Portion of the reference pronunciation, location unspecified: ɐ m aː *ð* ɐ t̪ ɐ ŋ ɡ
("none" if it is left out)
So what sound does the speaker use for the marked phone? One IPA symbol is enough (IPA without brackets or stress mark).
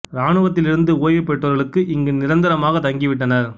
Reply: ɣ